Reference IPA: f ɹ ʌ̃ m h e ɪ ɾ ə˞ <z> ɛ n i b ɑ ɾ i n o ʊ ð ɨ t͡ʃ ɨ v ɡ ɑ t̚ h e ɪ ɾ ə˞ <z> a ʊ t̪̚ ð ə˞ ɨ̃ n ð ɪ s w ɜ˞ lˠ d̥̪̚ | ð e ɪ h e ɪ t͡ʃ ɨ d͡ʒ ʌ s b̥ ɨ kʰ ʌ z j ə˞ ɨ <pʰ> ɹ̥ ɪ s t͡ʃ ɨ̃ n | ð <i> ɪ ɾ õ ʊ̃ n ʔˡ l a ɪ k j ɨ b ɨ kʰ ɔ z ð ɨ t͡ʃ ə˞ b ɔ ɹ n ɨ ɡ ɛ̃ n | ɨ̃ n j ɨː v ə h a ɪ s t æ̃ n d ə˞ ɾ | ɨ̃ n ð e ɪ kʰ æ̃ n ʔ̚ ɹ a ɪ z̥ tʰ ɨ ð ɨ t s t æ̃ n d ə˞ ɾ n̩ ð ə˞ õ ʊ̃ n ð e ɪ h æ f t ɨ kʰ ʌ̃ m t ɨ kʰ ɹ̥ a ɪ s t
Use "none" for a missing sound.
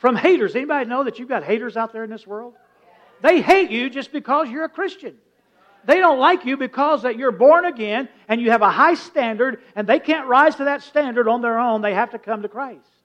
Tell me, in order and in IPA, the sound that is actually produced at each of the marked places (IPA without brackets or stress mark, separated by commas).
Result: z, z, kʰ, e